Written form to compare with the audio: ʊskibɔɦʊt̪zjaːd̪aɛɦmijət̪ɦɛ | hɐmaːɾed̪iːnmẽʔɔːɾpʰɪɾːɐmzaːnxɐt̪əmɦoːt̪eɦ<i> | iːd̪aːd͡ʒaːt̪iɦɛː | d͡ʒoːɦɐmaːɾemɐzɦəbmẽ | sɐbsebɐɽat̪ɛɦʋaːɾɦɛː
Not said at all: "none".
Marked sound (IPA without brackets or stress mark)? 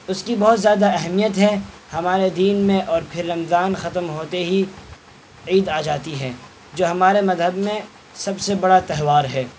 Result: i